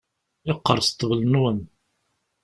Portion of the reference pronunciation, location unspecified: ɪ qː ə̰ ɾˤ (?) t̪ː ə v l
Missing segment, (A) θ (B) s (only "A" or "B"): B